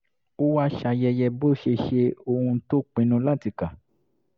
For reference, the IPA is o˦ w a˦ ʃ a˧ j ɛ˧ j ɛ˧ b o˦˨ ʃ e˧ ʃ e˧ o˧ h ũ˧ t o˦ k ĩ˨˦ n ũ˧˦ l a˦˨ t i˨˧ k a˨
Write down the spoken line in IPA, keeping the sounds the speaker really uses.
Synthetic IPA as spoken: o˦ w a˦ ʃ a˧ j ɛ˧ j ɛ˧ b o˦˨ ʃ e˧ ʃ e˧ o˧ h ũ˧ t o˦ k͡p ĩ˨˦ n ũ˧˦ l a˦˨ t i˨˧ k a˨